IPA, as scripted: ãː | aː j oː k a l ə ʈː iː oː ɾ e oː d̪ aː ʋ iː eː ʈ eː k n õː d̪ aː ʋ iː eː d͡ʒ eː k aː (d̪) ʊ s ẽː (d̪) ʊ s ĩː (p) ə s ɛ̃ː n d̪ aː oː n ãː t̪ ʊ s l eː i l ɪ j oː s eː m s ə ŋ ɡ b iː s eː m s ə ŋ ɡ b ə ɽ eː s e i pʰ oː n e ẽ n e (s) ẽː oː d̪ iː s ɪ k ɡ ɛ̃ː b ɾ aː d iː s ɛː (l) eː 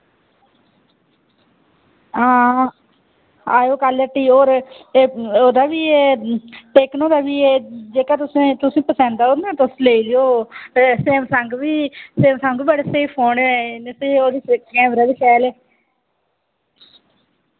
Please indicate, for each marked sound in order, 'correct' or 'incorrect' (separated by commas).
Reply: incorrect, incorrect, correct, correct, correct